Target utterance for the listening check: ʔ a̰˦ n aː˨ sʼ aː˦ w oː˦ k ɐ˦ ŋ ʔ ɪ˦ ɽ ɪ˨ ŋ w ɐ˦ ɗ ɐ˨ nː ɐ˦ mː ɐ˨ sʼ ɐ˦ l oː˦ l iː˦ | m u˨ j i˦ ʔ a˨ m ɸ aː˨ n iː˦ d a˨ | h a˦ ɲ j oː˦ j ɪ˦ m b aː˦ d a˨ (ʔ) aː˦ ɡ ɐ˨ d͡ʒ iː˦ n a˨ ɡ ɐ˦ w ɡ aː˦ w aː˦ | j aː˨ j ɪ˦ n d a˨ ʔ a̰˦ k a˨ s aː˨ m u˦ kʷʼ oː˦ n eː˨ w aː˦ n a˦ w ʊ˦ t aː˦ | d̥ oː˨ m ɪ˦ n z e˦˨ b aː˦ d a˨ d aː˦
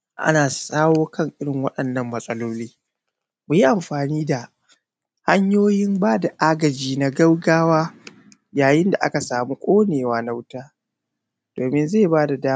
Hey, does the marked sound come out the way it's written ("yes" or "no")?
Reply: yes